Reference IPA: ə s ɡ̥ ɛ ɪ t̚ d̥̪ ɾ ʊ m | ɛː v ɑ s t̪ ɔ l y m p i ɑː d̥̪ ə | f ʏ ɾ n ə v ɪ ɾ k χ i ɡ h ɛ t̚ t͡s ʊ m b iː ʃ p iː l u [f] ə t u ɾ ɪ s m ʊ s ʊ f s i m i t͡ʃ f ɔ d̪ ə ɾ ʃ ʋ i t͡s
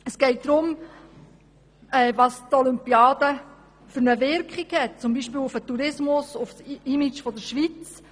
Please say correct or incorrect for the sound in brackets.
correct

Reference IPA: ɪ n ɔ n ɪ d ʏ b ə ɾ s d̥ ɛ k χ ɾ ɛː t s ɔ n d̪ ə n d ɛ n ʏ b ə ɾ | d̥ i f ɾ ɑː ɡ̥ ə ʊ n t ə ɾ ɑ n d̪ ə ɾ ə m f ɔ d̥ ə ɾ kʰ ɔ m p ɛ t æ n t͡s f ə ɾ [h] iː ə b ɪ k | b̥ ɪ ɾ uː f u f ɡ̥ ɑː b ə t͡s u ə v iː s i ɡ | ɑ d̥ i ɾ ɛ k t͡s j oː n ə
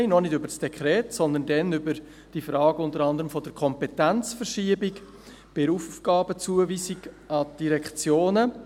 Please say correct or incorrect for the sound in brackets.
incorrect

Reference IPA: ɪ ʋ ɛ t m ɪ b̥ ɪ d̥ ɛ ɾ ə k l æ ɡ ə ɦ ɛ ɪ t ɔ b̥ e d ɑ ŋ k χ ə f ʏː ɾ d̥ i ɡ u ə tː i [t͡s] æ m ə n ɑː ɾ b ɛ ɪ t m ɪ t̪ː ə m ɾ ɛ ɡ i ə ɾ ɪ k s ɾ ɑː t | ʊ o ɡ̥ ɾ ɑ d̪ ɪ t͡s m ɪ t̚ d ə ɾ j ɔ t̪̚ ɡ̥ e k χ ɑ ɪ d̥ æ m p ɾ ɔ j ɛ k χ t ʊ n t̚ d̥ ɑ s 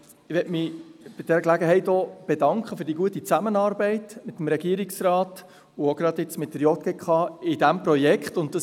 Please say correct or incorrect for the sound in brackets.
correct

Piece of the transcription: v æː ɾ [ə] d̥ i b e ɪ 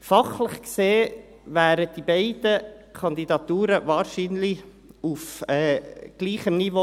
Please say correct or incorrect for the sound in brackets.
correct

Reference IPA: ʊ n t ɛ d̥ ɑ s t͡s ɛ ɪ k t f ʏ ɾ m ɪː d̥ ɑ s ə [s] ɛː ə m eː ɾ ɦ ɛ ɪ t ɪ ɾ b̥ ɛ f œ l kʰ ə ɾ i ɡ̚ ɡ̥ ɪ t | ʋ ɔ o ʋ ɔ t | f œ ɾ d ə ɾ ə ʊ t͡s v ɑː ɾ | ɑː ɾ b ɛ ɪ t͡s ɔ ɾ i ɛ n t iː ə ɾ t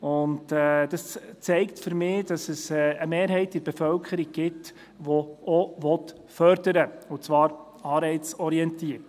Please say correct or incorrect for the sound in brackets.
correct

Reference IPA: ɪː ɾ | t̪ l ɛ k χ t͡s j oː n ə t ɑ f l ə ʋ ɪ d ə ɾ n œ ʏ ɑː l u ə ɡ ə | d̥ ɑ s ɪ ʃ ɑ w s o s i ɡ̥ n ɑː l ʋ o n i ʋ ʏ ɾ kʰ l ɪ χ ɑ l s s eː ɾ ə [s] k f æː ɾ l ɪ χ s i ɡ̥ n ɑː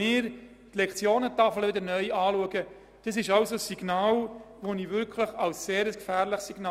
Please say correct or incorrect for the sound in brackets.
correct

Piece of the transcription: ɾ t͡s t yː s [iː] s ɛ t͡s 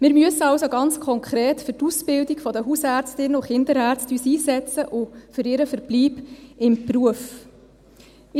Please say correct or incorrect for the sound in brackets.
correct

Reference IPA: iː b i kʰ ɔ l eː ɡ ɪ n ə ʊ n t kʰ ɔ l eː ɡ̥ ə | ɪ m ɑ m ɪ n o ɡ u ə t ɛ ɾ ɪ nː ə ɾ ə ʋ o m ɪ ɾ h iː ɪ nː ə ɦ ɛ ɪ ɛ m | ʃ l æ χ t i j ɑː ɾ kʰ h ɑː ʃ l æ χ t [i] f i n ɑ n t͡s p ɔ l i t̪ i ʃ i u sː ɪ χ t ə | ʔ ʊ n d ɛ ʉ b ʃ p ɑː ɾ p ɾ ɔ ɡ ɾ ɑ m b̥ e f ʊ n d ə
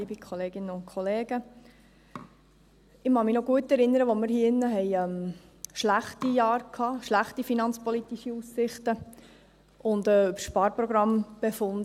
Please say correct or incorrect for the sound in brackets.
correct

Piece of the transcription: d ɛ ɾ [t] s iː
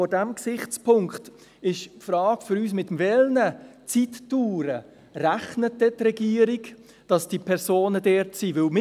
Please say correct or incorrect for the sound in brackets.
correct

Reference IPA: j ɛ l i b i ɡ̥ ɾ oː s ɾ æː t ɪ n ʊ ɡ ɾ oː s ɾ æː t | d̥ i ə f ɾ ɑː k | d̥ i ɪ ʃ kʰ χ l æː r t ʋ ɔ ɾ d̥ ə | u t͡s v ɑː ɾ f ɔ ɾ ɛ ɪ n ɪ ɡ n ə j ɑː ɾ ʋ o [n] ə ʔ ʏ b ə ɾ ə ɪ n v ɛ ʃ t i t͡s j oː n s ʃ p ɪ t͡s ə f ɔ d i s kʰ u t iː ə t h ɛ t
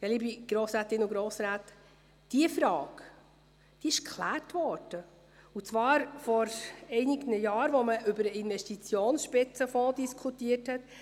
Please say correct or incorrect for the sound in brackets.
incorrect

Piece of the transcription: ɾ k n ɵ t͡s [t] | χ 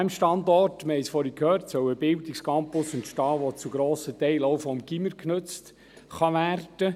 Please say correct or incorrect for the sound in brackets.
correct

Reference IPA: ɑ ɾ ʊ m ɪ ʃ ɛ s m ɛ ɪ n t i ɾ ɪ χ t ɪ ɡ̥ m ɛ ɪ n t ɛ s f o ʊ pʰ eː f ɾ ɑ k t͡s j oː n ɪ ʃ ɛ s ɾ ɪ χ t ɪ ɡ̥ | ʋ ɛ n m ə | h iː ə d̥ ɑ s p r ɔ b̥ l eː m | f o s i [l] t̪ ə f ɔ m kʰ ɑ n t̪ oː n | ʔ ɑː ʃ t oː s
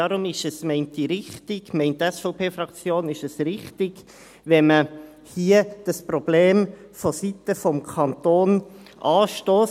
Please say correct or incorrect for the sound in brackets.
incorrect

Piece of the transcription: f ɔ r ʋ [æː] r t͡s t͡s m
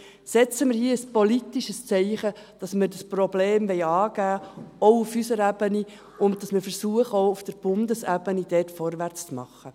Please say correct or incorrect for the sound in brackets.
incorrect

